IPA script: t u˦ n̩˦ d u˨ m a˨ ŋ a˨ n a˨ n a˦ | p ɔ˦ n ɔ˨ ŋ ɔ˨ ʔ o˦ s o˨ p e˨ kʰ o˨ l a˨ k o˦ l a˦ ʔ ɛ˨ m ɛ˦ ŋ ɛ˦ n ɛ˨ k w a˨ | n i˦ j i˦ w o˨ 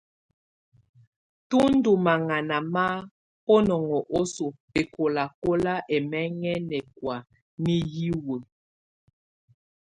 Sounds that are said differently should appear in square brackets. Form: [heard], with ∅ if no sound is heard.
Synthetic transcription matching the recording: t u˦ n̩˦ d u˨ m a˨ ŋ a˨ n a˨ [m] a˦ | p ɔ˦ n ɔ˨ ŋ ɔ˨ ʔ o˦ s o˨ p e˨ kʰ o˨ l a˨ k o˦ l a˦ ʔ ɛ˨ m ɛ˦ ŋ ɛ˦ n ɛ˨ k w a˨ | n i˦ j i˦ w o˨